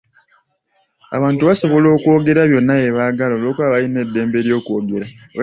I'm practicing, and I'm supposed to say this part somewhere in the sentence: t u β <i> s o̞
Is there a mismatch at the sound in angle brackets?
yes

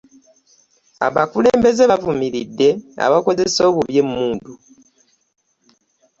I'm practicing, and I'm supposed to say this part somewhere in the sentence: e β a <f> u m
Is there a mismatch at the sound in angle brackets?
yes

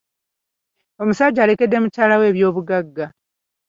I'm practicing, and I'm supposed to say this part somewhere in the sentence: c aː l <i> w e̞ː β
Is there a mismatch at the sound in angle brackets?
yes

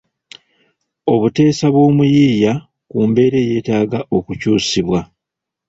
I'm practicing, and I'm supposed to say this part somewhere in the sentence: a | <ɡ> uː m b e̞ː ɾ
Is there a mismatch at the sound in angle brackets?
yes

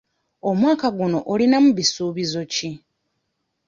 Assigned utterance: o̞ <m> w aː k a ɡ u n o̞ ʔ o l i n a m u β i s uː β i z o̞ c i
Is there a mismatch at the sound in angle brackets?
no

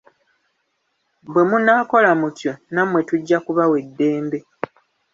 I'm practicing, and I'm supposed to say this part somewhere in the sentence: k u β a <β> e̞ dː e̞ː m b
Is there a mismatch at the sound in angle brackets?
yes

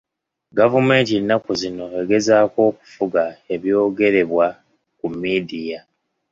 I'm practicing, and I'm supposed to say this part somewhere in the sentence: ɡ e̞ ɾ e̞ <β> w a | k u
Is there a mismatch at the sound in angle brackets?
no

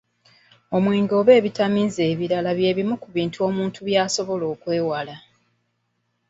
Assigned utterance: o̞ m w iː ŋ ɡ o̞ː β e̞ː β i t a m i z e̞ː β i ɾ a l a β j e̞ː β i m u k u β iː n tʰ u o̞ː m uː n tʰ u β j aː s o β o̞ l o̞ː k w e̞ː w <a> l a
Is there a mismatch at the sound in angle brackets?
no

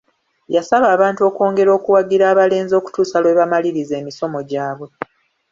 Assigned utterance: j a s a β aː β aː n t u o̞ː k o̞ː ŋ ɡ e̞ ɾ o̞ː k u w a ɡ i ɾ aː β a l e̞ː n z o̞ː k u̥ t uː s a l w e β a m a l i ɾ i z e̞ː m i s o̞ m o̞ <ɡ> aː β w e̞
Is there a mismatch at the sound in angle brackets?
yes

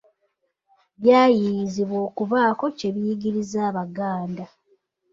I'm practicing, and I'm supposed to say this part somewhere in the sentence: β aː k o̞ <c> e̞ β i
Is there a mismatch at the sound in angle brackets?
no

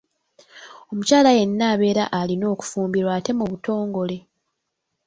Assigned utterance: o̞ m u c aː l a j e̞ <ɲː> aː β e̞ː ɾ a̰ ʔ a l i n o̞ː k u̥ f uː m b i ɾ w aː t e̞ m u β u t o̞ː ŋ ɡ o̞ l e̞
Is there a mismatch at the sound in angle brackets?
yes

